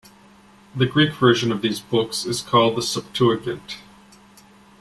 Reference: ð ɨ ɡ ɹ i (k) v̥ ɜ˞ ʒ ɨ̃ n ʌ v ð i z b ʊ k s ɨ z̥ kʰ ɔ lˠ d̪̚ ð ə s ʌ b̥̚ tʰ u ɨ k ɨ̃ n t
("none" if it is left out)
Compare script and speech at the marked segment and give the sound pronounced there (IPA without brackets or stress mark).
k